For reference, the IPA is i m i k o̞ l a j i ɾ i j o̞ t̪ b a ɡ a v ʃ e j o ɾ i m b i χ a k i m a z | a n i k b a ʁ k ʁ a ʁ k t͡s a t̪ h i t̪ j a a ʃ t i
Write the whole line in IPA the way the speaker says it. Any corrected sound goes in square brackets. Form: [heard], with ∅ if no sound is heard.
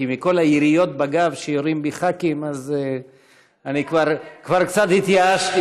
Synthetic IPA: i m i k o̞ l a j i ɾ i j o̞ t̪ b a ɡ a v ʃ e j o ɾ i m b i χ a k i m a z | a n i k [v] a ʁ k [v] a ʁ k t͡s a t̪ h i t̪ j a a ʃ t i